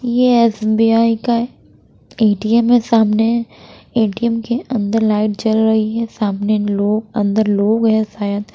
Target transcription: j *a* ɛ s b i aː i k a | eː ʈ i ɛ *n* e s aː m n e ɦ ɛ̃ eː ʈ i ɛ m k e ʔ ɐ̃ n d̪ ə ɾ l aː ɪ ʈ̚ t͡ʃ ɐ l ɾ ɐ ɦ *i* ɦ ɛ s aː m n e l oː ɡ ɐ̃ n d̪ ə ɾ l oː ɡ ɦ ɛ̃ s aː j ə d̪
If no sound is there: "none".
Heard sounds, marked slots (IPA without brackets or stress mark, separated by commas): e, m, i